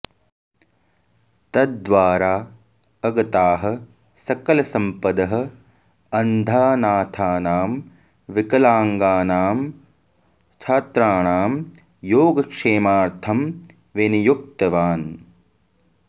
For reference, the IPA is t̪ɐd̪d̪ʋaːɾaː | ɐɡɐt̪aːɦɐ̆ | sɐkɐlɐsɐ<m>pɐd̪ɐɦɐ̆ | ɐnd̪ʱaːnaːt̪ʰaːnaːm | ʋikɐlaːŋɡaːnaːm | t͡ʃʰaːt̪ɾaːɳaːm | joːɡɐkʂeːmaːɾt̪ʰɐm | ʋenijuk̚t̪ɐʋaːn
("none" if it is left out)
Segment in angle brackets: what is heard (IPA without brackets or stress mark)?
m